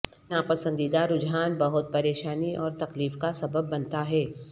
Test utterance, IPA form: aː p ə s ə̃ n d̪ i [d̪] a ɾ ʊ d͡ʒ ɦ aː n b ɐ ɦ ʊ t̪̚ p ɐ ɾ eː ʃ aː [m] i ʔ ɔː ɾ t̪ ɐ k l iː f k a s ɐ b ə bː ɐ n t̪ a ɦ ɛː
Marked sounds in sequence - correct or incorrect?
correct, incorrect

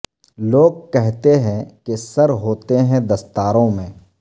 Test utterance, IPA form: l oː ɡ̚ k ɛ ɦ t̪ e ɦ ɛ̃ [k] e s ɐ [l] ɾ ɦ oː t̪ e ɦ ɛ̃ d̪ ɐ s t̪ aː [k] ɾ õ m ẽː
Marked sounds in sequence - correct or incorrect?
correct, incorrect, incorrect

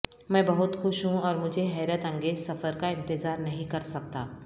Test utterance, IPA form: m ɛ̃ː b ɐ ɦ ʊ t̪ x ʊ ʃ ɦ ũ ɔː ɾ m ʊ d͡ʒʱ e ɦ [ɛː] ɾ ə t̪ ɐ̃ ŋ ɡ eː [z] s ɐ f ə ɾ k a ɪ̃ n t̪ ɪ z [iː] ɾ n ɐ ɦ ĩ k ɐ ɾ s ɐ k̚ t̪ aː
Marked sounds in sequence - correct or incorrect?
correct, correct, incorrect

